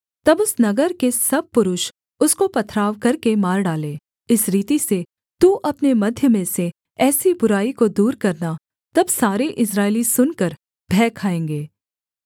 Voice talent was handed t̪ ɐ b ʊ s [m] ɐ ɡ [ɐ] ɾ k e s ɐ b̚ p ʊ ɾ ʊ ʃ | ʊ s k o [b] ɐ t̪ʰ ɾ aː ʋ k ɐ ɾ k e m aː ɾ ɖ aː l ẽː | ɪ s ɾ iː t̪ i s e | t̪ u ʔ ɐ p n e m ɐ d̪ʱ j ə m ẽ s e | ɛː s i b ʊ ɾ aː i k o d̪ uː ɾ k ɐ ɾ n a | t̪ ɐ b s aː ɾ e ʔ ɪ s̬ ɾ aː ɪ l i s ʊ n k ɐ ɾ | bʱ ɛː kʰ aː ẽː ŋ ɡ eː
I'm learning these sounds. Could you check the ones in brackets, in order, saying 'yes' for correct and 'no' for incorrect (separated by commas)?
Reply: no, no, no